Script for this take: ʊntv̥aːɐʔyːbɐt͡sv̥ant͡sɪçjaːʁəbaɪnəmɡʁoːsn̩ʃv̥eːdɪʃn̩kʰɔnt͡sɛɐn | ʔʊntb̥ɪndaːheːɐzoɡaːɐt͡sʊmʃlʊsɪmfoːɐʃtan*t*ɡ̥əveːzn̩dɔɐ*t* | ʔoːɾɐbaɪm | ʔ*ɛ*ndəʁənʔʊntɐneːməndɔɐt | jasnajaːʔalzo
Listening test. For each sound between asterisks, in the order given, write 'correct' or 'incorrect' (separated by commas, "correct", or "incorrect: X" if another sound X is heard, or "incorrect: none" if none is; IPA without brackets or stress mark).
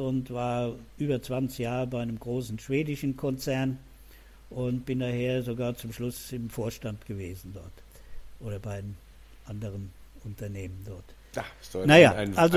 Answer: correct, correct, incorrect: a